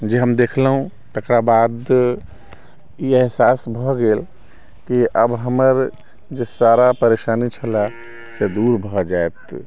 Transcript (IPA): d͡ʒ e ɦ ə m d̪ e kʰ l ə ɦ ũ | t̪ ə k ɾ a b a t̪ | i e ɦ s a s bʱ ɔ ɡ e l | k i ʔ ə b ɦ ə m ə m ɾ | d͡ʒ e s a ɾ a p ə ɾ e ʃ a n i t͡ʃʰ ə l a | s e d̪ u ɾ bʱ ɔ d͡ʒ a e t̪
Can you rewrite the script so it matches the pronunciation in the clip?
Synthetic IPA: d͡ʒ e ɦ ə m d̪ e kʰ l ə ɦ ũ | t̪ ə k ɾ a b a d̪ | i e ɦ s a s bʱ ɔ ɡ e l | k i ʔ ə b ɦ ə m ə ɾ | d͡ʒ e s a ɾ a p ə ɾ e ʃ a n i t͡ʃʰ ə l a | s e d̪ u ɾ bʱ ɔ d͡ʒ a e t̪